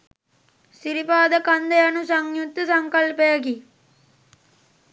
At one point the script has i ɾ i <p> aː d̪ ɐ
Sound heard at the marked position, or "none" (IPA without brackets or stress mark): p